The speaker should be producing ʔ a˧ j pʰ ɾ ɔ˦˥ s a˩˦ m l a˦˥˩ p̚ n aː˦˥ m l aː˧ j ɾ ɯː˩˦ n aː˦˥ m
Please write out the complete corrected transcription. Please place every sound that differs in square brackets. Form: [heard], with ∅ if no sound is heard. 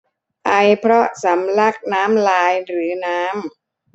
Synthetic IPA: ʔ a˧ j pʰ ɾ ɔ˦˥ s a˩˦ m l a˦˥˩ [k̚] n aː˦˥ m l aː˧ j ɾ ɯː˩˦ n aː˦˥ m